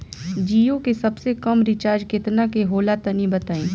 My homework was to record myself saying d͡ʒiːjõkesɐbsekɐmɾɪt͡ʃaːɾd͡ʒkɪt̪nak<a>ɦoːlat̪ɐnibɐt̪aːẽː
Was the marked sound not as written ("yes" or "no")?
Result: yes